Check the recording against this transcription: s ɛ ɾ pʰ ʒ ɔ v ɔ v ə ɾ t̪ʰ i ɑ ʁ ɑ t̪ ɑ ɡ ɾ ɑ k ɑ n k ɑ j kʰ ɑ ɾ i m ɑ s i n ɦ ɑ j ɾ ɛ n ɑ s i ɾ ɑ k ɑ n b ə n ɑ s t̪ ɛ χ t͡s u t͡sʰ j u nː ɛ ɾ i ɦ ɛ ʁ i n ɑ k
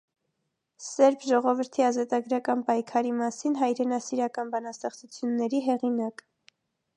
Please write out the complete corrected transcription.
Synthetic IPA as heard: s ɛ ɾ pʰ ʒ ɔ ʁ ɔ v ə ɾ t̪ʰ i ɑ z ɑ t̪ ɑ ɡ ɾ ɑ k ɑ n p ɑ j kʰ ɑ ɾ i m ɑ s i n ɦ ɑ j ɾ ɛ n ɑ s i ɾ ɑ k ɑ n b ɑ n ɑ s t̪ ɛ χ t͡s u t͡sʰ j u nː ɛ ɾ i ɦ ɛ ʁ i n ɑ k